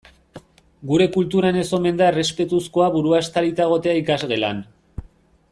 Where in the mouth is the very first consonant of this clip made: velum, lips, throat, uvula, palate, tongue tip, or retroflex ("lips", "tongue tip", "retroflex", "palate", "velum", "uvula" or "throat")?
velum